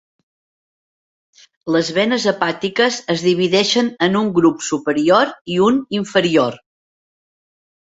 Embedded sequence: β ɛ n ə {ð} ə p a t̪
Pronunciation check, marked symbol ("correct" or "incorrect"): incorrect